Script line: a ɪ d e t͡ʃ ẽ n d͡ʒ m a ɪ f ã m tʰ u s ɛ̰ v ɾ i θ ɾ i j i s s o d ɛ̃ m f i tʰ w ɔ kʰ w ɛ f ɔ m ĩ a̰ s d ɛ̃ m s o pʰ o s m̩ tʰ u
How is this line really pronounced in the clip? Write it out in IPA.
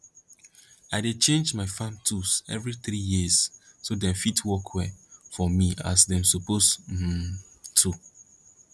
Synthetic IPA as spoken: a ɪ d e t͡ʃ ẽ n d͡ʒ m a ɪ f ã m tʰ u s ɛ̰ v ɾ i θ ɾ i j i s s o d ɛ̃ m f i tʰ w ɔ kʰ w ɛ f ɔ m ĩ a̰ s d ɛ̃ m s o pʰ o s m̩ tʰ u